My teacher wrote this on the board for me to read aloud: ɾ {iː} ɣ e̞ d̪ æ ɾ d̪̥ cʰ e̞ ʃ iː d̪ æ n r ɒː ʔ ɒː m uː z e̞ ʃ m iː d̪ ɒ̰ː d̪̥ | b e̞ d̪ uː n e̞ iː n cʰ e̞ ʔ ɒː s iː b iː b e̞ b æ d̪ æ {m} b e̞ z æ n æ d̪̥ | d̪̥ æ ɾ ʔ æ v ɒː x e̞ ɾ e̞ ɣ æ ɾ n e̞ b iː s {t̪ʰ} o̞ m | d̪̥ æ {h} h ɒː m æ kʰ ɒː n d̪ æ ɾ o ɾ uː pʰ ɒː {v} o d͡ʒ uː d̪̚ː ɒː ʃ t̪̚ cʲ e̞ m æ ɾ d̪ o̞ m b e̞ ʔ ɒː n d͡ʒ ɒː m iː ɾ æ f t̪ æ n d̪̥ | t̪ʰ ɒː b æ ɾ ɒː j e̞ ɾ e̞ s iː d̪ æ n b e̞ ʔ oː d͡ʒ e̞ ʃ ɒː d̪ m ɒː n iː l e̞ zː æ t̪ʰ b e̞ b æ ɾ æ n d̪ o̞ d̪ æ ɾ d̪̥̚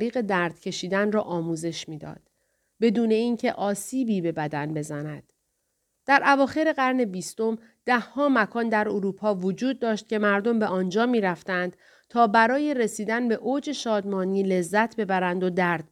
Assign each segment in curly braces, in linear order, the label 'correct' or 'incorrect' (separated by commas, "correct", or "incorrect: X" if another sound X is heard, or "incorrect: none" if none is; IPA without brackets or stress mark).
correct, incorrect: n, incorrect: t̪, correct, correct